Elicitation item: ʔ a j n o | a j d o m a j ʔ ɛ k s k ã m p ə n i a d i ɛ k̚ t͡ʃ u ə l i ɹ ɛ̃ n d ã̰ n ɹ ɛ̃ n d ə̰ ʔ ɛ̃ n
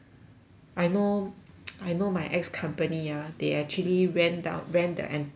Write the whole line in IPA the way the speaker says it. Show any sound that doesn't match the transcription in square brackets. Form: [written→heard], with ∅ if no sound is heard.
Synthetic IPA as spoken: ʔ a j n o | a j [d→n] o m a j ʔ ɛ k s [k→kʰ] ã m p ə n i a d [i→e] ɛ k̚ t͡ʃ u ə l i ɹ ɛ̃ n d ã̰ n ɹ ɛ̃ n d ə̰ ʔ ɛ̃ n